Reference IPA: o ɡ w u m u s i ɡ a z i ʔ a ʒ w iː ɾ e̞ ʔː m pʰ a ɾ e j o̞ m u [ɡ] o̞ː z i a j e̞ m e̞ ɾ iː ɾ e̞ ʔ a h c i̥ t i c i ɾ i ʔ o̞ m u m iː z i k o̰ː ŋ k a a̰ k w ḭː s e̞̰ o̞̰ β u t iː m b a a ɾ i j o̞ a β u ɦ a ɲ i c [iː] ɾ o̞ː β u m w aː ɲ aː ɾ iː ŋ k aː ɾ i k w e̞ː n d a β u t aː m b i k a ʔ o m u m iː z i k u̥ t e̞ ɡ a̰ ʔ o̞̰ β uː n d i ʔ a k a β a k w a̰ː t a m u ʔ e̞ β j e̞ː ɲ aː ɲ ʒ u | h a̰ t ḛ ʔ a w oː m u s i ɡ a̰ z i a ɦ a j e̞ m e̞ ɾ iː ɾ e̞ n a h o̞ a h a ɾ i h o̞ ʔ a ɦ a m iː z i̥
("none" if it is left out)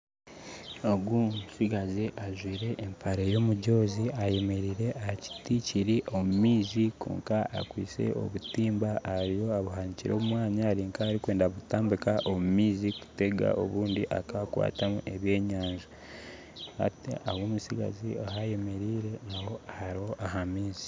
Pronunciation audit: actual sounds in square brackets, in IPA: ɟ, i

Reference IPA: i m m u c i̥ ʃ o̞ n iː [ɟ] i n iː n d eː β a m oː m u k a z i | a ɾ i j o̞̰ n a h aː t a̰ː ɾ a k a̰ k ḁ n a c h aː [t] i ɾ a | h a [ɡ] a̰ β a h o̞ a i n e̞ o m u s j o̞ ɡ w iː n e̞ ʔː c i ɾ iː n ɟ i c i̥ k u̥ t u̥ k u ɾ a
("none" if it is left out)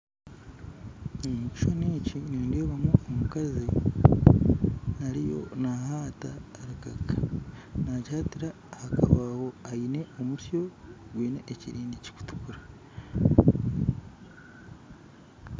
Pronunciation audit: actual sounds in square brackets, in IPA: c, t, k

